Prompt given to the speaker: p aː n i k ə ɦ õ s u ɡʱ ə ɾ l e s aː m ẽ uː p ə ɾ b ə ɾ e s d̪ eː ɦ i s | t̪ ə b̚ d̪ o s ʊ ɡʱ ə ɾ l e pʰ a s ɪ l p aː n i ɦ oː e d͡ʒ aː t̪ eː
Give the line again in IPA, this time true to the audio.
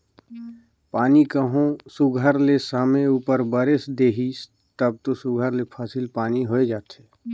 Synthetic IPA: p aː n i k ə ɦ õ s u ɡʱ ə ɾ l e s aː m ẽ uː p ə ɾ b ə ɾ e s d̪ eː ɦ i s | t̪ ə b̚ t̪ o s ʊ ɡʱ ə ɾ l e pʰ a s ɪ l p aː n i ɦ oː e d͡ʒ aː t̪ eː

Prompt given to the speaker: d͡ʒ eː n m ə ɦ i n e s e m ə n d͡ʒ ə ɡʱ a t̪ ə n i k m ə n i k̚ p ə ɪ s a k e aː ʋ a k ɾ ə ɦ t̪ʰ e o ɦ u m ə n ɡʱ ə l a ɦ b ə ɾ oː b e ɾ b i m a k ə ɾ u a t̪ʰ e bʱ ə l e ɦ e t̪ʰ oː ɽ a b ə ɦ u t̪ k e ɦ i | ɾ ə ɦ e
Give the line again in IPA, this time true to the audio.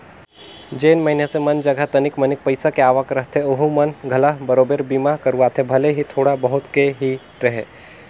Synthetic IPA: d͡ʒ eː n m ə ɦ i n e s e m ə n d͡ʒ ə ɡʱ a t̪ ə n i k m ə n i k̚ p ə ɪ s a k e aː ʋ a k ɾ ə ɦ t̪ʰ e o ɦ u m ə n ɡʱ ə l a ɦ b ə ɾ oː b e ɾ b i m a k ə ɾ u a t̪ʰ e bʱ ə l e ɦ i t̪ʰ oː ɽ a b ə ɦ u t̪ k e ɦ i | ɾ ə ɦ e

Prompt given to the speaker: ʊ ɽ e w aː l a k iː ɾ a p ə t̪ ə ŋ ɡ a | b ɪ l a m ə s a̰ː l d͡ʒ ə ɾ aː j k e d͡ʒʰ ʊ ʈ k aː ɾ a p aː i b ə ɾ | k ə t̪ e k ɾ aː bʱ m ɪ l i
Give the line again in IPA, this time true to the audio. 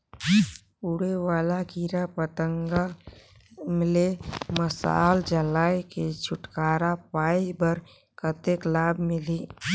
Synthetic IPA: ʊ ɽ e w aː l a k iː ɾ a p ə t̪ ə ŋ ɡ a | m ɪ l e m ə s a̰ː l d͡ʒ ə l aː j k e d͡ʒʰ ʊ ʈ k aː ɾ a p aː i b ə ɾ | k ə t̪ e k l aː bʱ m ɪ l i

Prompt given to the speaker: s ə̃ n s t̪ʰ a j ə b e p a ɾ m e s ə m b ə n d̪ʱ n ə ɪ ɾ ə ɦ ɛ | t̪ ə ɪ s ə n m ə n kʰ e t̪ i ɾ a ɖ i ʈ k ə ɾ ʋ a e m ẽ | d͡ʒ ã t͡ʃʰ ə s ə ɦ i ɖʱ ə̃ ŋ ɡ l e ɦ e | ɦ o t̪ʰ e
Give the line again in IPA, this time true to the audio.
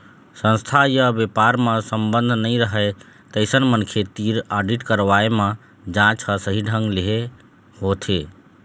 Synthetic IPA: s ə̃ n s t̪ʰ a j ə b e p a ɾ m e s ə m b ə n d̪ʱ n ə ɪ ɾ ə ɦ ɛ | t̪ ə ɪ s ə n m ə n kʰ e t̪ i ɾ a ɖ i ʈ k ə ɾ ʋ a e m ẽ | d͡ʒ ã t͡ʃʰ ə s ə ɦ i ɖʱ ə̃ ŋ ɡ l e ɦ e | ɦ o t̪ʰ e

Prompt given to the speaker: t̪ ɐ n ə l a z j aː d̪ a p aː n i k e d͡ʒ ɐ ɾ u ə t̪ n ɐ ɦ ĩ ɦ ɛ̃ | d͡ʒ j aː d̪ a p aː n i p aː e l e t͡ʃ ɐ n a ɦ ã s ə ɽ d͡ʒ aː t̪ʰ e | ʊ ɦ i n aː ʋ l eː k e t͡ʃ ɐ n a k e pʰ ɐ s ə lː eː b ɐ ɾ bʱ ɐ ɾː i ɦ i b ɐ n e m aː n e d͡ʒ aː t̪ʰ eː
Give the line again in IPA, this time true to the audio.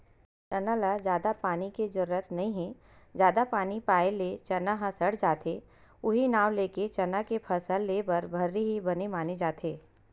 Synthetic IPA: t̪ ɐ n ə l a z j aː d̪ a p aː n i k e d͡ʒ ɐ ɾ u ə t̪ n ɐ ɦ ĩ ɦ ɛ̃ | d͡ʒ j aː d̪ a p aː n i p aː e l e t͡ʃ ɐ n a ɦ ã s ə ɽ d͡ʒ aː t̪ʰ e | ʊ ɦ i n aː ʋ l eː k e t͡ʃ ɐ n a k e pʰ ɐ s ə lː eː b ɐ ɾ bʱ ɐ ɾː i ɦ i b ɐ n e m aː n e d͡ʒ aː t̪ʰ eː

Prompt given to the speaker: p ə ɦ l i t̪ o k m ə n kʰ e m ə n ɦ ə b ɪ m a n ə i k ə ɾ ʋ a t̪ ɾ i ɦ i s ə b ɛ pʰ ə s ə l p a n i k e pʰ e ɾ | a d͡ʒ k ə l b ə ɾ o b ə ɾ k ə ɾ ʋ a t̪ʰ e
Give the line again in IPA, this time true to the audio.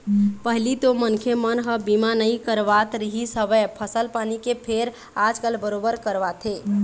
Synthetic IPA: p ə ɦ l i t̪ o m ə n kʰ e m ə n ɦ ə b i m a n ə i k ə ɾ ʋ a t̪ ɾ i ɦ i s ə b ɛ pʰ ə s ə l p a n i k e pʰ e ɾ | a d͡ʒ k ə l b ə ɾ o b ə ɾ k ə ɾ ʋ a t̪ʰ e

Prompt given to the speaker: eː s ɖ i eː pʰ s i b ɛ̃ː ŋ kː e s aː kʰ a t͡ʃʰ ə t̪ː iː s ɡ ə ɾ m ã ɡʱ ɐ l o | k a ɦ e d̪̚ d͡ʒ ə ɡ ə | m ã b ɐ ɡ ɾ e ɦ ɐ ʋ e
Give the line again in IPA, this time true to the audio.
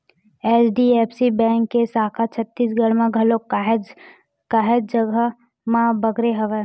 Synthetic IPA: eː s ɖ i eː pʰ s i b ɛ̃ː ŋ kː e s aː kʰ a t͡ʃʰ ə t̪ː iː s ɡ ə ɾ m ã ɡʱ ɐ l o | k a ɦ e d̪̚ d͡ʒ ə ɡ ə | m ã b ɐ ɡ ɾ e ɦ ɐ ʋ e

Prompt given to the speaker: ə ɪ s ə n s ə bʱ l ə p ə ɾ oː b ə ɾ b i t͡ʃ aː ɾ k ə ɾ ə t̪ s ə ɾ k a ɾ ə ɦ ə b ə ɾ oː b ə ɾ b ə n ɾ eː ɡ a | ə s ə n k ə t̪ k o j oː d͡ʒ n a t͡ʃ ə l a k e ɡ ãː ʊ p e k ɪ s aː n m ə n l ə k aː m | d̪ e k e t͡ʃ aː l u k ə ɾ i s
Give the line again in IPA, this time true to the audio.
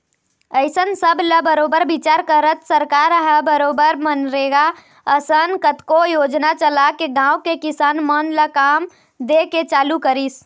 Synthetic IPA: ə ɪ s ə n s ə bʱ l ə b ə ɾ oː b ə ɾ b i t͡ʃ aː ɾ k ə ɾ ə t̪ s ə ɾ k a ɾ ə ɦ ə b ə ɾ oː b ə ɾ m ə n ɾ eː ɡ a | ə s ə n k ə t̪ k o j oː d͡ʒ n a t͡ʃ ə l a k e ɡ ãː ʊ k e k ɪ s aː n m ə n l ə k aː m | d̪ e k e t͡ʃ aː l u k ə ɾ i s

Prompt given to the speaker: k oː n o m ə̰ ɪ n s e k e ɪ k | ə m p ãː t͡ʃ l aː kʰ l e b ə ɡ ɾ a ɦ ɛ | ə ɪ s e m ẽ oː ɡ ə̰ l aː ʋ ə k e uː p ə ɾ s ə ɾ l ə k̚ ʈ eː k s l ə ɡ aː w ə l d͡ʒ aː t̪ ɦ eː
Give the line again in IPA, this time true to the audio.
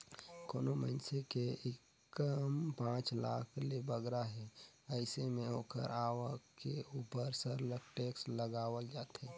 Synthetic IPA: k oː n o m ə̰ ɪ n s e k e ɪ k | ə m p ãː t͡ʃ l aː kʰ l e b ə ɡ ɾ a ɦ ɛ | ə ɪ s e m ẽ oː k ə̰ ɾ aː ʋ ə k e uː p ə ɾ s ə ɾ l ə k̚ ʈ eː k s l ə ɡ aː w ə l d͡ʒ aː t̪ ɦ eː

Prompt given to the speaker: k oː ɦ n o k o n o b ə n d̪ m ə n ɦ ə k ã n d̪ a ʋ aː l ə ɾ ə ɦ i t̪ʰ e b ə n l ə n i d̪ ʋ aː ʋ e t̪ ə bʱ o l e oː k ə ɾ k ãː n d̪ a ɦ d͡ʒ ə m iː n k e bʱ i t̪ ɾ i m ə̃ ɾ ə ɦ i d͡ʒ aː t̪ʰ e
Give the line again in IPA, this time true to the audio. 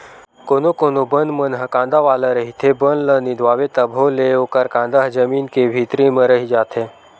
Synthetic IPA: k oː n o k o n o b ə n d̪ m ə n ɦ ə k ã n d̪ a ʋ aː l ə ɾ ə ɦ i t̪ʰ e b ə n l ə n i d̪ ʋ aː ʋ e t̪ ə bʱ o l e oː k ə ɾ k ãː n d̪ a ɦ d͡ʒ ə m iː n k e bʱ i t̪ ɾ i m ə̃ ɾ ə ɦ i d͡ʒ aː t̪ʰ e

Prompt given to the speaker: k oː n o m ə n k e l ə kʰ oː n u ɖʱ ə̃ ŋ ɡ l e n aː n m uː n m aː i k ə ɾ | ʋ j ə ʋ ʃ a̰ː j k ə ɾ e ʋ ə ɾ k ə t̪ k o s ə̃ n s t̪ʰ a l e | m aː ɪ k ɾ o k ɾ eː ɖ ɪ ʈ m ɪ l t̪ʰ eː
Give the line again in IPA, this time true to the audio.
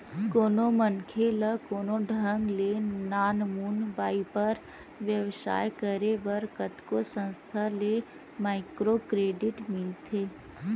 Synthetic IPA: k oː n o m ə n kʰ e l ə k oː n o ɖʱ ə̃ ŋ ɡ l e n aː n m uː n b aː i p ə ɾ | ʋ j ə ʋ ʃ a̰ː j k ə ɾ e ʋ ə ɾ k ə t̪ k o s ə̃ n s t̪ʰ a l e | m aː ɪ k ɾ o k ɾ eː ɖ ɪ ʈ m ɪ l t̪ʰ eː

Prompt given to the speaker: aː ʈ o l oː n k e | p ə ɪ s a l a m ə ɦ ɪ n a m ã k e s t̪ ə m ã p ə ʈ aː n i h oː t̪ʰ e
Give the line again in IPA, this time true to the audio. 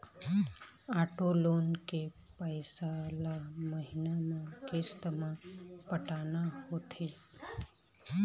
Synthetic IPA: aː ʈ o l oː n k e | p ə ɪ s a l a m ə ɦ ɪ n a m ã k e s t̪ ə m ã p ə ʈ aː n a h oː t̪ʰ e

